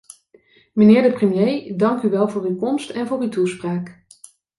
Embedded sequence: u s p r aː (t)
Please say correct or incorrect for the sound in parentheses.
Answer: incorrect